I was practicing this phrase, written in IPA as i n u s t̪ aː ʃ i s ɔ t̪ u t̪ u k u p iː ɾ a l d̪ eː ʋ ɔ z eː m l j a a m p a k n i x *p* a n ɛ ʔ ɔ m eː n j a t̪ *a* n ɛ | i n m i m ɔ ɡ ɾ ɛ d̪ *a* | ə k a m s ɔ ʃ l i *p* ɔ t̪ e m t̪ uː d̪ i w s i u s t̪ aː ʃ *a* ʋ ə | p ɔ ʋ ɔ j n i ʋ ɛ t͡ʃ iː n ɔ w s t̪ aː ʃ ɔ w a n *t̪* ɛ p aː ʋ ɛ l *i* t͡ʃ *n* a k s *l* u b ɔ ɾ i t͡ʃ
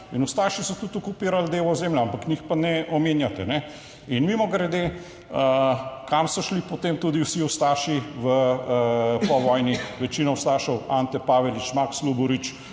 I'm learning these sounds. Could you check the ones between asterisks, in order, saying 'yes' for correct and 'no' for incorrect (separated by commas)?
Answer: yes, no, no, yes, no, yes, yes, no, yes